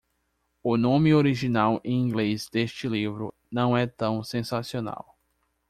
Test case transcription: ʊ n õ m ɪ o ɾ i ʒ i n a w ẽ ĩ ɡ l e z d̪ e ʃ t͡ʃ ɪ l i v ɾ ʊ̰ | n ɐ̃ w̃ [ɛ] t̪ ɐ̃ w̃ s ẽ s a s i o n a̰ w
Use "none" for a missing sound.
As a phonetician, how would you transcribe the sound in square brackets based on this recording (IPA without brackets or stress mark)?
ɛ